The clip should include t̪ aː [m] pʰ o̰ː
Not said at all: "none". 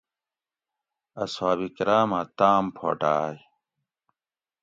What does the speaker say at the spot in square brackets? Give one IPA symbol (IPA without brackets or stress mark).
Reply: m